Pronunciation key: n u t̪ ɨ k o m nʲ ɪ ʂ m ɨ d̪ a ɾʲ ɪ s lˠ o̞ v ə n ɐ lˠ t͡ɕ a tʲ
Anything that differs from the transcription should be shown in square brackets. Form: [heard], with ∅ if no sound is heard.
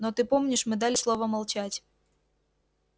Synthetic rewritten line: n [o] t̪ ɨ [p] o m nʲ ɪ ʂ m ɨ d̪ a [lʲ] ɪ s lˠ o̞ v ə [m] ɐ lˠ t͡ɕ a tʲ